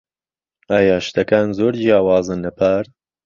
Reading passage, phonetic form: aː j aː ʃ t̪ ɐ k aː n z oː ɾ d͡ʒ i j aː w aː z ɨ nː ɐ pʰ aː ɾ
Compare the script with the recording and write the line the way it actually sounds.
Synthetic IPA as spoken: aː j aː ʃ t̪ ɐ k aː n z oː ɾ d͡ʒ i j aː w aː z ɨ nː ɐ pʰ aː ɾ

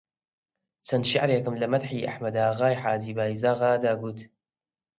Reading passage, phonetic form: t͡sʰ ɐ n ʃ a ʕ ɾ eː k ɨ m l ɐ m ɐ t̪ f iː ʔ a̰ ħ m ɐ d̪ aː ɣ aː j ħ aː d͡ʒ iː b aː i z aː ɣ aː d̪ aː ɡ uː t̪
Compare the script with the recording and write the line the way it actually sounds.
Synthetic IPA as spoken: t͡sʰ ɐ n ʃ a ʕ ɾ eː k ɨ m l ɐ m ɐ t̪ ħ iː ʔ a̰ ħ m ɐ d̪ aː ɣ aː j ħ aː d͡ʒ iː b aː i z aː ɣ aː d̪ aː ɡ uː t̪

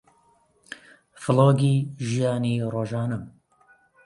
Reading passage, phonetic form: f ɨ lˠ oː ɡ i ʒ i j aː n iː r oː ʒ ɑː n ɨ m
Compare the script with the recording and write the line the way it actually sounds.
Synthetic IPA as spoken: f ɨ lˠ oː ɡ i ʒ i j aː n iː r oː ʒ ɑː n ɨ m

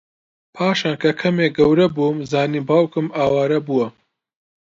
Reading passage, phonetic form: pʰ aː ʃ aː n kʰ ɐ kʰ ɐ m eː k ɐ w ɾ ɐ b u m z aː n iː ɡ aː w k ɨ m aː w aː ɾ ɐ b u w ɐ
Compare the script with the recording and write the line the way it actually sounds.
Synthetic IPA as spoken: pʰ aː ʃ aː n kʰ ɐ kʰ ɐ m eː ɡ ɐ w ɾ ɐ b u m z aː n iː b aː w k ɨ m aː w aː ɾ ɐ b u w ɐ

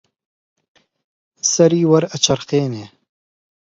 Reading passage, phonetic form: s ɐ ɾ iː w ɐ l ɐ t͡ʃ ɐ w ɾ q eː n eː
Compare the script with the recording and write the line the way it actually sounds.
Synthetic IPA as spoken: s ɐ ɾ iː w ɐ ɾ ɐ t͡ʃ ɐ ɾ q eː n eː

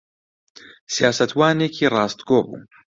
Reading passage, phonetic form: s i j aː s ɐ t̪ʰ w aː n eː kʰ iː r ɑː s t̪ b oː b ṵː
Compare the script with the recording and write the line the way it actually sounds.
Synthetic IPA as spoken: s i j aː s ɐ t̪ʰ w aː n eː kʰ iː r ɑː s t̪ ɡ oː b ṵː

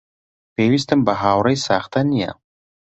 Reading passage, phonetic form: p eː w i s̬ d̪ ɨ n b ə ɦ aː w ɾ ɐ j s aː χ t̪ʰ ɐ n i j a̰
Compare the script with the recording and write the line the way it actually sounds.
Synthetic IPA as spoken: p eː w i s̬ t̪ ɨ m b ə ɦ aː w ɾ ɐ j s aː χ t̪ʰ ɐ n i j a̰

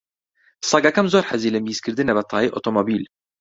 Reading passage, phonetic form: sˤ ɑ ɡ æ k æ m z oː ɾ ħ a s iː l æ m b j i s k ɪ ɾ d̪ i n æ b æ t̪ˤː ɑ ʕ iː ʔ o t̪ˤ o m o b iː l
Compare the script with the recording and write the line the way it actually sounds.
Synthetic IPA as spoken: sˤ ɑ ɡ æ k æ m z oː ɾ ħ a z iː l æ m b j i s k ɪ ɾ d̪ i n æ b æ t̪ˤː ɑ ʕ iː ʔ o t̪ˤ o m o b iː l

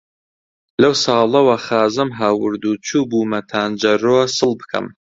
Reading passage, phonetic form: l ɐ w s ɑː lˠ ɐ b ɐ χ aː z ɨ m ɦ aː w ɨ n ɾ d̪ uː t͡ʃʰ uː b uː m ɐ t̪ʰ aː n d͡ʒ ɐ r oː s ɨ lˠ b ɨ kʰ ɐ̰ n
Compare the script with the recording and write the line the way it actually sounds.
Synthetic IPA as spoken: l ɐ w s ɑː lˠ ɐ w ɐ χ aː z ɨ m ɦ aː w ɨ ɾ d̪ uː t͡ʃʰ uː b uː m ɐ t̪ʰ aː n d͡ʒ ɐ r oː s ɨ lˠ b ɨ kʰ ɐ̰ m

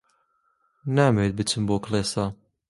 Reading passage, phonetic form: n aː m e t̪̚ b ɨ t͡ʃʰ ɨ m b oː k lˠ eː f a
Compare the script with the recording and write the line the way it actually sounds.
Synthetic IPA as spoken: n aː m e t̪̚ b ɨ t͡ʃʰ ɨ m b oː k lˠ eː s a

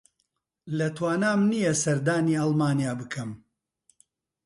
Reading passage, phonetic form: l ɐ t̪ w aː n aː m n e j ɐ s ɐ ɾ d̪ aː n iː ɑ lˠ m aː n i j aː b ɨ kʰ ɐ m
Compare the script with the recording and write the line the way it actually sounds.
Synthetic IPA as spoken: l ɐ t̪ w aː n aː m n i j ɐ s ɐ ɾ d̪ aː n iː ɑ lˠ m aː n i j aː b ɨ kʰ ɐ m

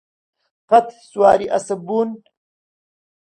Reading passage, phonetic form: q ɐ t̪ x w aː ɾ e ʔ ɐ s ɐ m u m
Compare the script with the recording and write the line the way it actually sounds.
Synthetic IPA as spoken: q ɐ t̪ s w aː ɾ i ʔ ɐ s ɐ b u n

